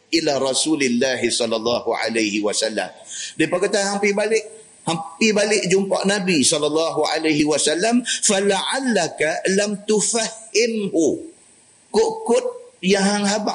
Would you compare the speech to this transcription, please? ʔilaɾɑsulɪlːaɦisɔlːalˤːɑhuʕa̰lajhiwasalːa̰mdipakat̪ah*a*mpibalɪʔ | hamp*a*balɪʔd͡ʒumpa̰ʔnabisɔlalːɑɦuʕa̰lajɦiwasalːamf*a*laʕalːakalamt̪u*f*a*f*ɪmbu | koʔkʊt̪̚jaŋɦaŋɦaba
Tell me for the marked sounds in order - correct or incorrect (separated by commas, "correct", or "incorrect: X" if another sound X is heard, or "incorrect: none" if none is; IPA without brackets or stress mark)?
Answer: correct, incorrect: i, correct, correct, incorrect: h